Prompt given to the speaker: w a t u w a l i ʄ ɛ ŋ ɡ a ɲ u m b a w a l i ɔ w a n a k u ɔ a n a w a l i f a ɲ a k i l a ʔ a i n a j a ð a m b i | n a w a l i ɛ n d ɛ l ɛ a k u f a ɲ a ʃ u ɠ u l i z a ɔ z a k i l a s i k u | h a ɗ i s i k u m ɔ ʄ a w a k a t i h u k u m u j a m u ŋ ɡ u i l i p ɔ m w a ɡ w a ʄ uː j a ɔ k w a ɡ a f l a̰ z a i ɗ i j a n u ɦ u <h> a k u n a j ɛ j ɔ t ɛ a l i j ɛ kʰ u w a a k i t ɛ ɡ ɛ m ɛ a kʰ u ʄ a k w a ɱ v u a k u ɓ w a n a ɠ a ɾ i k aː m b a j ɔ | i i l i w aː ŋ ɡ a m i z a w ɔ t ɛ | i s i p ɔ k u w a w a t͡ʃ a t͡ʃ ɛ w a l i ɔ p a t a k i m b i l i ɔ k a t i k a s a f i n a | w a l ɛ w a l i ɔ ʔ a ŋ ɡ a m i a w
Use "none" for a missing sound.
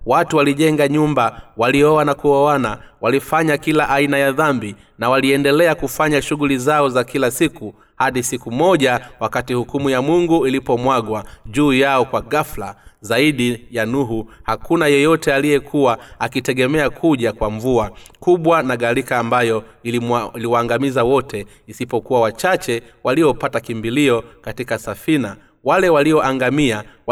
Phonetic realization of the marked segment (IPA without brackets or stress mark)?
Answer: h